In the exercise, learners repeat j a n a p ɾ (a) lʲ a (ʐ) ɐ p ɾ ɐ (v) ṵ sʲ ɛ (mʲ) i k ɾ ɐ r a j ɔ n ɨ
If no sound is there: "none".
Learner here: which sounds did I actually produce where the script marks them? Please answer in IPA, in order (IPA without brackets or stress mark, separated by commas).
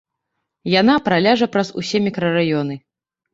a, ʐ, z, mʲ